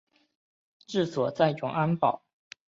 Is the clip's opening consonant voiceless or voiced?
voiceless